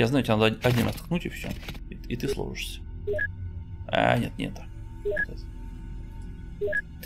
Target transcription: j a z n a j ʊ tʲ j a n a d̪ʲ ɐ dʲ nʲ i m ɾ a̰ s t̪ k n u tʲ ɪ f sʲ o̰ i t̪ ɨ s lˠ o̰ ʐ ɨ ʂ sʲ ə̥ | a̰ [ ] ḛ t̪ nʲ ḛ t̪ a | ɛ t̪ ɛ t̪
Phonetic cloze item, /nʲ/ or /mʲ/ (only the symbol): nʲ